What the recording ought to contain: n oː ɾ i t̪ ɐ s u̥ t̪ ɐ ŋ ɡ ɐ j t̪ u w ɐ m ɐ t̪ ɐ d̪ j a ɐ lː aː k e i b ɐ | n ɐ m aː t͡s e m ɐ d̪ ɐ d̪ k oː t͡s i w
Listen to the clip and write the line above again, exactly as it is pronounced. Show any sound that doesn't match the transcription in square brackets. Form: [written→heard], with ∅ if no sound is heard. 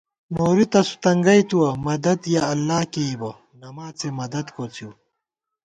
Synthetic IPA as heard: n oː ɾ i t̪ ɐ s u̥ t̪ ɐ ŋ ɡ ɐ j t̪ u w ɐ m ɐ [t̪→d̪] ɐ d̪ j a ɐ lː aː k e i b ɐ | n ɐ m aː t͡s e m ɐ d̪ ɐ d̪ k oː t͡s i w